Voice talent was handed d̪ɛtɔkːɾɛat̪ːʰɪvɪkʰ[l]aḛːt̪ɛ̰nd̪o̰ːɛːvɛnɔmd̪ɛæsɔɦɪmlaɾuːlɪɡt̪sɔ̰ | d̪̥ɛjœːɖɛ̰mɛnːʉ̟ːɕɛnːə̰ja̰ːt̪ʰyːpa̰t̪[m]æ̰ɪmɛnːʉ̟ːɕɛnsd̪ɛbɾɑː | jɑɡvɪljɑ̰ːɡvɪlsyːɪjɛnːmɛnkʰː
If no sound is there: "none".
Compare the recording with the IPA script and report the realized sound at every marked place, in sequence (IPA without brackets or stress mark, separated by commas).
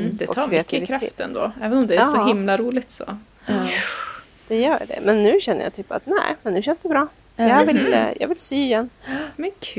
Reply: ɾ, n